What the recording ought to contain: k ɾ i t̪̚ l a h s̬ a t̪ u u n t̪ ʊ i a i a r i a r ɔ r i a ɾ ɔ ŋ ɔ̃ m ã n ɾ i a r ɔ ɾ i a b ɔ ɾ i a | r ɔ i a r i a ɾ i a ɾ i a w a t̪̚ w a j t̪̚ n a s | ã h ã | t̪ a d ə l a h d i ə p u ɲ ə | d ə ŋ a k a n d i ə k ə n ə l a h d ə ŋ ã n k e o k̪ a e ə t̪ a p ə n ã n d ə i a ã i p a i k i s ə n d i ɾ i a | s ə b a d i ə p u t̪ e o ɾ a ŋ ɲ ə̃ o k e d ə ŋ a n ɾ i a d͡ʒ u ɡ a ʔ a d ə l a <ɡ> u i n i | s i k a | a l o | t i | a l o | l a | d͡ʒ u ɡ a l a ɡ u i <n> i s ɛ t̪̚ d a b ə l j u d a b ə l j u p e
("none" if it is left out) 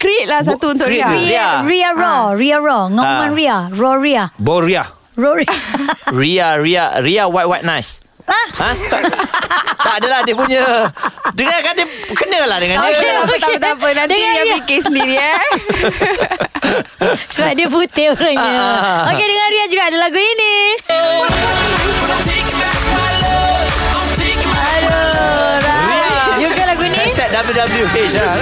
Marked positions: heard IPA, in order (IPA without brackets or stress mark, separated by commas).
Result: ɡ, n